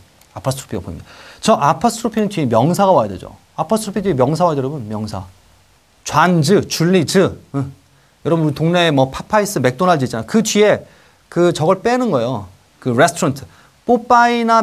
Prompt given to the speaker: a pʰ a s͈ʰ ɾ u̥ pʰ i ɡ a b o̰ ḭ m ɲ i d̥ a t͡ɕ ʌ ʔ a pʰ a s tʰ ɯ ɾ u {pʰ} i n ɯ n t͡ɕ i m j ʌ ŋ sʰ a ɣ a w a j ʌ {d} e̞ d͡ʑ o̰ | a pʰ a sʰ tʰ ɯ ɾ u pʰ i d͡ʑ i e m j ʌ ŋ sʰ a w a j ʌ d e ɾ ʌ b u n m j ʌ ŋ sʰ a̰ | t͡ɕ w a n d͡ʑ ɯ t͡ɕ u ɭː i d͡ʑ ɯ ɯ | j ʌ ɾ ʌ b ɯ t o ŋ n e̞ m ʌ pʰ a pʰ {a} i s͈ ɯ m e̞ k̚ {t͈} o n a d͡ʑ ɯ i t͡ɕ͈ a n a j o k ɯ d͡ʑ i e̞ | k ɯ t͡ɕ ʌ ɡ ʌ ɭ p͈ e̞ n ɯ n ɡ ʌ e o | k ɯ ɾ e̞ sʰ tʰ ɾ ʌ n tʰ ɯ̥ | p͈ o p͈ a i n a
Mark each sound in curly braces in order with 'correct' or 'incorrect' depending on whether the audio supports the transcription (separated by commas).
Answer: correct, correct, correct, correct